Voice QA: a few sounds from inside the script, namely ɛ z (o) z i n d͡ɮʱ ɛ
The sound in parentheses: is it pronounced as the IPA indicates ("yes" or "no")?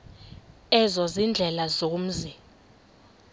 no